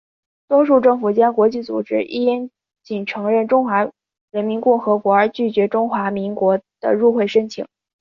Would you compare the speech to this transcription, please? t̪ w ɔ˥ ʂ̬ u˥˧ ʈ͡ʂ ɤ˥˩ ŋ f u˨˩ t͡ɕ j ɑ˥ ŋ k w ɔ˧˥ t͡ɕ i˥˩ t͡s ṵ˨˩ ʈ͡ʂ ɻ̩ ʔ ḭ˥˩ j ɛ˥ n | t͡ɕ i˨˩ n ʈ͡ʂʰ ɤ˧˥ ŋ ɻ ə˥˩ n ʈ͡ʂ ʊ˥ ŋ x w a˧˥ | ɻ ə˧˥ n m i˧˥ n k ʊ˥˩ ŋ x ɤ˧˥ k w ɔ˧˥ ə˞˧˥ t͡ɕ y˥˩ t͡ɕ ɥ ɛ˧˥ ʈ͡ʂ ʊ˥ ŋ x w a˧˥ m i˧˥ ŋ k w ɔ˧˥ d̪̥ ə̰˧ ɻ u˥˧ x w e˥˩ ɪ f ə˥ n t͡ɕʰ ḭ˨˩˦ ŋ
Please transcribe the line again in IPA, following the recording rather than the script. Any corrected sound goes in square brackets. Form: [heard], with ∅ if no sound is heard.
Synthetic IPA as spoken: t̪ w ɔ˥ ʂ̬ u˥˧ ʈ͡ʂ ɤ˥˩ ŋ f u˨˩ t͡ɕ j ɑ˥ ŋ k w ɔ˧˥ t͡ɕ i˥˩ t͡s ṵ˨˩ ʈ͡ʂ ɻ̩ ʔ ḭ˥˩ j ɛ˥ n | t͡ɕ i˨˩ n ʈ͡ʂʰ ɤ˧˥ ŋ ɻ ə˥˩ n ʈ͡ʂ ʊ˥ ŋ x w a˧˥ | ɻ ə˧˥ n m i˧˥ n k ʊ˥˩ ŋ x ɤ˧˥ k w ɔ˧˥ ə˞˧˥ t͡ɕ y˥˩ t͡ɕ ɥ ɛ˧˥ ʈ͡ʂ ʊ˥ ŋ x w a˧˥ m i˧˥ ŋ k w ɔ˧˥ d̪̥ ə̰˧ ɻ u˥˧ x w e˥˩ ɪ [ʂ] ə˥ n t͡ɕʰ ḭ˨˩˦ ŋ

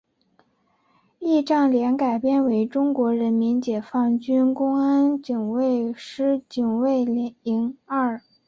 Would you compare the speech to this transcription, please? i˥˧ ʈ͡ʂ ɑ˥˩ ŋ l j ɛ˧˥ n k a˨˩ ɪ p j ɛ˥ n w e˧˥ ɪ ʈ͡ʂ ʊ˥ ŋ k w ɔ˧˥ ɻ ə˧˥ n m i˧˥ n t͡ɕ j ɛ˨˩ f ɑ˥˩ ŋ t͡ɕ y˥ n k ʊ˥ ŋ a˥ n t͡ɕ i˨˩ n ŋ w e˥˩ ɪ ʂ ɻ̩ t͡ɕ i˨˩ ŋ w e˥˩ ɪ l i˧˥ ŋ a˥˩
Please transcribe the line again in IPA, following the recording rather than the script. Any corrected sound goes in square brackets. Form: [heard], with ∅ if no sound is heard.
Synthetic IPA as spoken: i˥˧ ʈ͡ʂ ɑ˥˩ ŋ l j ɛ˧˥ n k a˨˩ ɪ p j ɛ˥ n w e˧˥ ɪ ʈ͡ʂ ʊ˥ ŋ k w ɔ˧˥ ɻ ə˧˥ n m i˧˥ n t͡ɕ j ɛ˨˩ f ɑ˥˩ ŋ t͡ɕ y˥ n k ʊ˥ ŋ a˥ n t͡ɕ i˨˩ [∅] ŋ w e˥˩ ɪ ʂ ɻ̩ t͡ɕ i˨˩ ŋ w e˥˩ ɪ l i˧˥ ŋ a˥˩

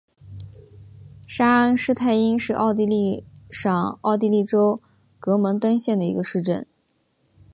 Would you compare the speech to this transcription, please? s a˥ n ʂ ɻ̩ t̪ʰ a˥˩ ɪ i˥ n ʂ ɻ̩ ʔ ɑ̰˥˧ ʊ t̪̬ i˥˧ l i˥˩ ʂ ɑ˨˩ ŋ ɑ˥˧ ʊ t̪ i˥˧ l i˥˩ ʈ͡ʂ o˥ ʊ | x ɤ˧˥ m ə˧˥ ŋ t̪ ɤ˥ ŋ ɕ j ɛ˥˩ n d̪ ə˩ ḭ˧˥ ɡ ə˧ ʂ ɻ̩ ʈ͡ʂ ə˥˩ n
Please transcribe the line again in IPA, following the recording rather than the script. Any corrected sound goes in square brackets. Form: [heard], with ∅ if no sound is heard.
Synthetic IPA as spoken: [ʂ] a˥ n ʂ ɻ̩ t̪ʰ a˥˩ ɪ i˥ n ʂ ɻ̩ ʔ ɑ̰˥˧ ʊ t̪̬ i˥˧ l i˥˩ ʂ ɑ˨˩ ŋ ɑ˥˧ ʊ t̪ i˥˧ l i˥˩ ʈ͡ʂ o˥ ʊ | [k] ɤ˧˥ m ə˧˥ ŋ t̪ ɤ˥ ŋ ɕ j ɛ˥˩ n d̪ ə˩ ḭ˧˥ ɡ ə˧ ʂ ɻ̩ ʈ͡ʂ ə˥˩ n

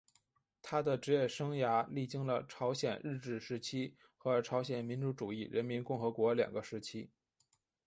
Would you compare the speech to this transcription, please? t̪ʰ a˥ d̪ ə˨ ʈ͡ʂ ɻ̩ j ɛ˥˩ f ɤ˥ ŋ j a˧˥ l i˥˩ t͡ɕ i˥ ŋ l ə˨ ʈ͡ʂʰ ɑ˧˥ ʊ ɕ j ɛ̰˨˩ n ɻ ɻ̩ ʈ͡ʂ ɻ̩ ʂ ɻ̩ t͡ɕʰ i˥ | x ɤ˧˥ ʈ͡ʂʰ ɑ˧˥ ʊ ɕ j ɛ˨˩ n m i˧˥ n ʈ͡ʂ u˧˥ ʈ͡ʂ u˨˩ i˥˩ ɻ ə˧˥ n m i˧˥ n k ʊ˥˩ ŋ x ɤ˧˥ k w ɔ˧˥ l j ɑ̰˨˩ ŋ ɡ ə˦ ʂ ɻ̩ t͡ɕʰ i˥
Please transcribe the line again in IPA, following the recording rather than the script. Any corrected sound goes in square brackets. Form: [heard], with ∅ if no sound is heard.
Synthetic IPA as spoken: t̪ʰ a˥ d̪ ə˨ ʈ͡ʂ ɻ̩ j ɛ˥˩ [ʂ] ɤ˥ ŋ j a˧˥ l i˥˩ t͡ɕ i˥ ŋ l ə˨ ʈ͡ʂʰ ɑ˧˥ ʊ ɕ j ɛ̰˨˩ n ɻ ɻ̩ ʈ͡ʂ ɻ̩ ʂ ɻ̩ t͡ɕʰ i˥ | x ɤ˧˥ ʈ͡ʂʰ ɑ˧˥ ʊ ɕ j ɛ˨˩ n m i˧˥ n ʈ͡ʂ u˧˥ ʈ͡ʂ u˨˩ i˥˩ ɻ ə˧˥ n m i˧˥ n k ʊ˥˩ ŋ x ɤ˧˥ k w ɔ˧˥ l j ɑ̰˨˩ ŋ ɡ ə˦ ʂ ɻ̩ t͡ɕʰ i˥

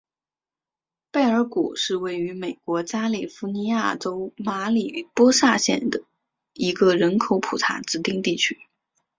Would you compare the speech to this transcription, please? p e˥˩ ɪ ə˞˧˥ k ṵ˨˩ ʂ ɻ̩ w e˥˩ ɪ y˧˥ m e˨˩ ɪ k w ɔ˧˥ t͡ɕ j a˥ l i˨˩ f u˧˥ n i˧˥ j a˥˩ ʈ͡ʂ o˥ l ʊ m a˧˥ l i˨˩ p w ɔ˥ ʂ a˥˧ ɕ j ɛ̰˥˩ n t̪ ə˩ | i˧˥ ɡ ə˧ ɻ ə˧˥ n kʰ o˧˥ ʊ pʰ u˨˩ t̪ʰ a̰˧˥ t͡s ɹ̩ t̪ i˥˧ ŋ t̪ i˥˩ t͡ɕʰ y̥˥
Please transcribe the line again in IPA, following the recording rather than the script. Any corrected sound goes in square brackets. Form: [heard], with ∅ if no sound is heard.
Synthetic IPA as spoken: p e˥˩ ɪ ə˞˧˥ k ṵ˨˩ ʂ ɻ̩ w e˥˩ ɪ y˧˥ m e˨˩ ɪ k w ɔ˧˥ t͡ɕ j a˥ l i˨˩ f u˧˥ n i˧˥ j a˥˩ ʈ͡ʂ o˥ [∅] ʊ m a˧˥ l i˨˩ p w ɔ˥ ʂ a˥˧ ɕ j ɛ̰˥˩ n [d̪] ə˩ | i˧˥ ɡ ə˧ ɻ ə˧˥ n kʰ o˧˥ ʊ pʰ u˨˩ t̪ʰ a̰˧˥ t͡s ɹ̩ t̪ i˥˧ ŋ t̪ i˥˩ t͡ɕʰ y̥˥

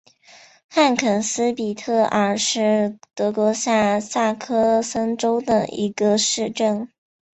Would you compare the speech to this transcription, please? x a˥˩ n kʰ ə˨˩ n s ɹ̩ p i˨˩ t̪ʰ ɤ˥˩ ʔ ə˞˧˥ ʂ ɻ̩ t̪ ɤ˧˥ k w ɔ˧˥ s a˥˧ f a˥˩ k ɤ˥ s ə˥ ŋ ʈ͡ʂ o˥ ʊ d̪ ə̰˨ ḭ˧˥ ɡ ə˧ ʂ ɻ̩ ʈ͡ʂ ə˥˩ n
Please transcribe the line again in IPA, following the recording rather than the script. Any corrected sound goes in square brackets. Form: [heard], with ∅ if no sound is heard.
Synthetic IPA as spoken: x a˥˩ n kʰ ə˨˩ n s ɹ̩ p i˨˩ t̪ʰ ɤ˥˩ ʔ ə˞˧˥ ʂ ɻ̩ t̪ ɤ˧˥ k w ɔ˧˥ s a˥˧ [s] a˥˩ [kʰ] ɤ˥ s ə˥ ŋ ʈ͡ʂ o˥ ʊ d̪ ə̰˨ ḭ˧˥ ɡ ə˧ ʂ ɻ̩ ʈ͡ʂ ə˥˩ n

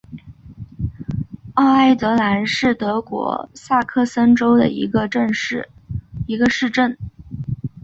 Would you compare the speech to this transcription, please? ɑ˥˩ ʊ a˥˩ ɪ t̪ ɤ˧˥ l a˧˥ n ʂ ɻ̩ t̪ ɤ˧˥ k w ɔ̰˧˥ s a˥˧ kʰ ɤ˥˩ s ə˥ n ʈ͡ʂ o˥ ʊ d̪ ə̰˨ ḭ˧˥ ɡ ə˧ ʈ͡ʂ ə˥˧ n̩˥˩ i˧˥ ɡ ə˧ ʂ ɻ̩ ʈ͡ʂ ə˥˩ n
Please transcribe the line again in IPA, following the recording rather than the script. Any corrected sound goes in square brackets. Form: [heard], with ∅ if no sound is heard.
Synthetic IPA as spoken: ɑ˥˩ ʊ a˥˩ ɪ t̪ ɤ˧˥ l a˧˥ n ʂ ɻ̩ t̪ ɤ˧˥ k w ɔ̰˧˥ s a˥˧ kʰ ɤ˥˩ s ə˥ n ʈ͡ʂ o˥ ʊ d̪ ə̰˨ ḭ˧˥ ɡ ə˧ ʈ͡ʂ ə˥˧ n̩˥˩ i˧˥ ɡ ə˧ ʂ ɻ̩ ʈ͡ʂ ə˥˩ n

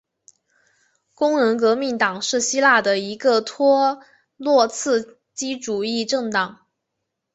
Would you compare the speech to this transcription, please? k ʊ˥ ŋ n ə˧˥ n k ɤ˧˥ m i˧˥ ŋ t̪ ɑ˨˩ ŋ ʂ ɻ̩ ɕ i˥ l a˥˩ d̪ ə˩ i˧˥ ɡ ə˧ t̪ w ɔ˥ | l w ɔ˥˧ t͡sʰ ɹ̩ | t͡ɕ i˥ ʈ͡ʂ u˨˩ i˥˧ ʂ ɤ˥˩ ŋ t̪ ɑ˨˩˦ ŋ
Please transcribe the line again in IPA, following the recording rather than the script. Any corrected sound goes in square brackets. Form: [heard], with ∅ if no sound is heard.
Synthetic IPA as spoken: k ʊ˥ ŋ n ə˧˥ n k ɤ˧˥ m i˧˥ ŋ t̪ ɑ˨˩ ŋ ʂ ɻ̩ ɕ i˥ l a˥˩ d̪ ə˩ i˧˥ ɡ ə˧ [t̪ʰ] w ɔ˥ | l w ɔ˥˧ t͡sʰ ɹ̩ | t͡ɕ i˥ ʈ͡ʂ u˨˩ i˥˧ [ʈ͡ʂ] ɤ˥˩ ŋ t̪ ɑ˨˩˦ ŋ

